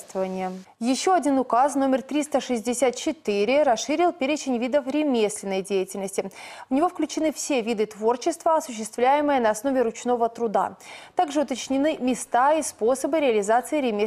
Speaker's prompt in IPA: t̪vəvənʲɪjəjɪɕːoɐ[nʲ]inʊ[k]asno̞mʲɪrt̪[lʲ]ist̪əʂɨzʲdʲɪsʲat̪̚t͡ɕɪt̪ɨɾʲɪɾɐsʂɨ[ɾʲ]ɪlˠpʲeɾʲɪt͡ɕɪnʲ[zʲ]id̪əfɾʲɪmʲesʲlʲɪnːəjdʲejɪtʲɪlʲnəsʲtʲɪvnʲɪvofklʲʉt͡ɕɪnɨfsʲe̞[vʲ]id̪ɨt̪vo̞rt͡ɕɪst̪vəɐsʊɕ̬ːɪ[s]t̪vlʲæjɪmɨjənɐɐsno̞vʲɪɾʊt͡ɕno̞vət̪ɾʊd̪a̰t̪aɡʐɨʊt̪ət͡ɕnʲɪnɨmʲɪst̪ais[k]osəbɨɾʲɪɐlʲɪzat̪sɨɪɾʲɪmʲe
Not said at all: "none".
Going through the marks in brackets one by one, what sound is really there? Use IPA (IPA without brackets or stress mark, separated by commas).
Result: dʲ, k, ɾʲ, ɾʲ, vʲ, vʲ, s, p